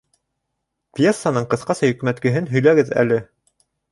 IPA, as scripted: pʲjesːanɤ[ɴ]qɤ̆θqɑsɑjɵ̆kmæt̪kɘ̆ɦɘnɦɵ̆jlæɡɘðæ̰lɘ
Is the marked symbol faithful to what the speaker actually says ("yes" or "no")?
yes